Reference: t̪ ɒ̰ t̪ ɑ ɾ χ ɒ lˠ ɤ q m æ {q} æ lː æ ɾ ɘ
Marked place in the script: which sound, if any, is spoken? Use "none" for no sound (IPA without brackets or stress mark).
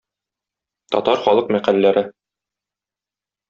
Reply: q